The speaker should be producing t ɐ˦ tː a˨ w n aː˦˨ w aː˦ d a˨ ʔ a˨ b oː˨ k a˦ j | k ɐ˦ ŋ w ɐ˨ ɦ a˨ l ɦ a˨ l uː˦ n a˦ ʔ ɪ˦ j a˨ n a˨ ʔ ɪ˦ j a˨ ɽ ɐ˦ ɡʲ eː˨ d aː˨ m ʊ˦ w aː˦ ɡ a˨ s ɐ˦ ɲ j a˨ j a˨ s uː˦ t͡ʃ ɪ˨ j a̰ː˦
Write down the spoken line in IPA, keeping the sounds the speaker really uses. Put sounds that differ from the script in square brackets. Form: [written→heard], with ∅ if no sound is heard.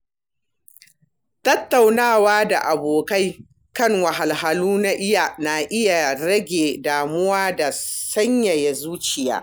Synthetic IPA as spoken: t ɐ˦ tː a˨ w n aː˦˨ w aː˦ d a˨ ʔ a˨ b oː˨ k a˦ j | k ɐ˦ ŋ w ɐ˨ ɦ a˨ l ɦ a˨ l uː˦ n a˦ ʔ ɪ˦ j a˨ n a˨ ʔ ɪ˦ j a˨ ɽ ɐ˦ ɡʲ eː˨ d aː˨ m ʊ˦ w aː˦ [ɡ→d] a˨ s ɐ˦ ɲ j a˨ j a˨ [s→z] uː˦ t͡ʃ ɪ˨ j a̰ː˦